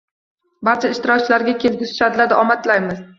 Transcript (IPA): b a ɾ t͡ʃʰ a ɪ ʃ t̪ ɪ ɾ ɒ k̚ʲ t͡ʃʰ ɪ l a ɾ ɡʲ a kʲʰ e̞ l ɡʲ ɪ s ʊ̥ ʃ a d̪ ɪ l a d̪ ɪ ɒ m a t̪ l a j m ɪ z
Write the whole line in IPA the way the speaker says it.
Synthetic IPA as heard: b a ɾ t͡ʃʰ a ɪ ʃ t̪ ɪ ɾ ɒ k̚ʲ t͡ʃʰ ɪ l a ɾ ɡʲ a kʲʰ e̞ l ɡʲ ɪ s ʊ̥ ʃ a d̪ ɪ l a d̪ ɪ ɒ m a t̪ l a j m ɪ z